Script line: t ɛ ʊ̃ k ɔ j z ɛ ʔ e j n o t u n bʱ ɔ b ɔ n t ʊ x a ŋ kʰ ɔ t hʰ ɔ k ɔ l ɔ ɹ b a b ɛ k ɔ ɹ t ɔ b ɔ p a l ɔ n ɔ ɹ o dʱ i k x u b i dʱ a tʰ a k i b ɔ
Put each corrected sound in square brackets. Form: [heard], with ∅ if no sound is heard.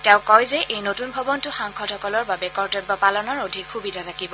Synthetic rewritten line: t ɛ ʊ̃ k ɔ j z ɛ ʔ e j n o t u n bʱ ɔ b ɔ n t ʊ x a ŋ kʰ ɔ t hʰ ɔ k ɔ l ɔ ɹ b a b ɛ k ɔ ɹ t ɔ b ɔ p a l ɔ n ɔ ɹ o dʱ i k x u b i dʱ a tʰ a k i b ɔ

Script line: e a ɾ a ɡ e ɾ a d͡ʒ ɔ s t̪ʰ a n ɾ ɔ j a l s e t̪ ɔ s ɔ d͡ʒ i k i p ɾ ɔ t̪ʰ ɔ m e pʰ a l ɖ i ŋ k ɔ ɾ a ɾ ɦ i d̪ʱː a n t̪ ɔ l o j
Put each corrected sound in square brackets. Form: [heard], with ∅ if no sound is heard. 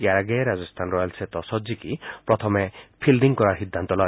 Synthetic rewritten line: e a ɾ a ɡ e ɾ a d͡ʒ ɔ s t̪ʰ a n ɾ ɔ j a l s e t̪ ɔ s ɔ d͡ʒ i k i p ɾ ɔ t̪ʰ ɔ m e pʰ [i] l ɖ i ŋ k ɔ ɾ a ɾ ɦ i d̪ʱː a n t̪ ɔ l [ɔ] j

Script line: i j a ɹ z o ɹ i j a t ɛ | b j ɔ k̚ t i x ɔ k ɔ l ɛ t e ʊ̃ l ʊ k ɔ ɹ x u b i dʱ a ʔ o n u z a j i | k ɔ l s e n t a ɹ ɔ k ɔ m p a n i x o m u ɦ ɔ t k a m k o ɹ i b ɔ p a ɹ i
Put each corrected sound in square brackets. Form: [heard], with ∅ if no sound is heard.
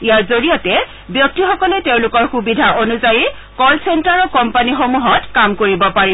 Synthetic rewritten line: i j a ɹ z o ɹ i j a t ɛ | b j ɔ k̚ t i x ɔ k ɔ l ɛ t e ʊ̃ l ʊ k ɔ ɹ x u b i dʱ a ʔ o n u z a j i | k ɔ l s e n t a ɹ ɔ k ɔ m p a n i x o m u ɦ ɔ t k a m k o ɹ i b ɔ p a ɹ i

